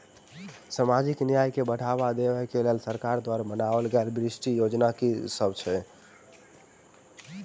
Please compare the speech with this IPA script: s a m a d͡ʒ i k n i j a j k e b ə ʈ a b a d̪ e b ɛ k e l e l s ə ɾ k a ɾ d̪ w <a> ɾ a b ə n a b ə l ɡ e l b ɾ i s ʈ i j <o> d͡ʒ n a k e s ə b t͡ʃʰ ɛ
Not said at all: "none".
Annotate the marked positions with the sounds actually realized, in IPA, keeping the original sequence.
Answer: a, o

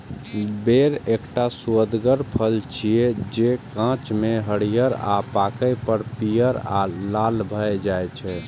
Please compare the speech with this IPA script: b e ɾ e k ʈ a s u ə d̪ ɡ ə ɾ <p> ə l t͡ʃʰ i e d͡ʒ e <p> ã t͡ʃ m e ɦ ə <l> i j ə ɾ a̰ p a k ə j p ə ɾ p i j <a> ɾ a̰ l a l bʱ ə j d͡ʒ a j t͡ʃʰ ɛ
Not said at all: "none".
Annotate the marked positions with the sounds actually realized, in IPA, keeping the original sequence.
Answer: pʰ, k, ɽ, ə

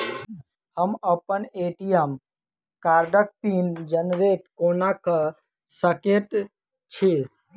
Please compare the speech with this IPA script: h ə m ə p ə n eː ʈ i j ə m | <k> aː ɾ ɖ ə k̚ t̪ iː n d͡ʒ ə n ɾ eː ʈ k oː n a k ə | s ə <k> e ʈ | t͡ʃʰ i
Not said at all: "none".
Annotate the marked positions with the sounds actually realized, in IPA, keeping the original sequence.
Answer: k, k

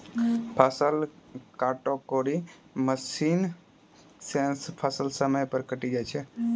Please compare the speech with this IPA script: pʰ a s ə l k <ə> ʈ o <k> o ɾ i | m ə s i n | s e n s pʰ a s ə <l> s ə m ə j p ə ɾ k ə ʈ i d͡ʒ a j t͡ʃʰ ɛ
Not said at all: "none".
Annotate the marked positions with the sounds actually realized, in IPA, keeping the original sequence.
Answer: a, k, l

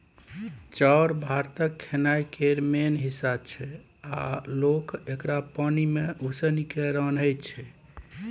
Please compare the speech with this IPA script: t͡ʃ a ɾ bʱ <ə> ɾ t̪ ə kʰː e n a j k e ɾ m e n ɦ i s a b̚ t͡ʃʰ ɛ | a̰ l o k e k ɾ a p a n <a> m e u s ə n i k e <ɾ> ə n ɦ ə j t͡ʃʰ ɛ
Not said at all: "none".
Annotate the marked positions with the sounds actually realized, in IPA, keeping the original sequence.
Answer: a, i, ɾ

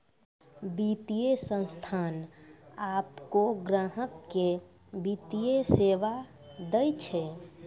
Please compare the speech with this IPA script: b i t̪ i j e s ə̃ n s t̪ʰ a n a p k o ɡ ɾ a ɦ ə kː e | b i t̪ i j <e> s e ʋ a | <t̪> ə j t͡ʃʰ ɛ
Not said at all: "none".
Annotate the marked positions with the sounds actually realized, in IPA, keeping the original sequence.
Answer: e, d̪

